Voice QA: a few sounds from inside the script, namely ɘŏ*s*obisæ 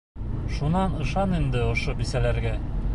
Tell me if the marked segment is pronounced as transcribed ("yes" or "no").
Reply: no